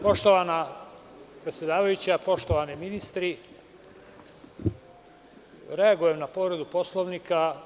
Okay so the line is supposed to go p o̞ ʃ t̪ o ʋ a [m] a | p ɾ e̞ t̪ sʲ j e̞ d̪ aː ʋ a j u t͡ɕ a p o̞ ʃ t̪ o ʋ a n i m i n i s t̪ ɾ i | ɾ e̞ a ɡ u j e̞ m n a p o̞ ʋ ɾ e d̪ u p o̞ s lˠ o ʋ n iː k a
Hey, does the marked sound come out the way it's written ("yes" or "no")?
no